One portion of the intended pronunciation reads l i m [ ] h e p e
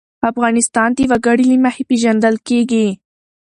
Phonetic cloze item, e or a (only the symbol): a